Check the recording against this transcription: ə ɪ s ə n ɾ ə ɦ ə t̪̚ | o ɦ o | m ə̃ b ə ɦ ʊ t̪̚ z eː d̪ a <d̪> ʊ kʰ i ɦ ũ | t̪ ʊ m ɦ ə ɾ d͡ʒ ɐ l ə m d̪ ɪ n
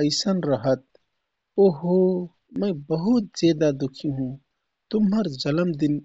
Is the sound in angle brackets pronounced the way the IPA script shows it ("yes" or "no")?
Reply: yes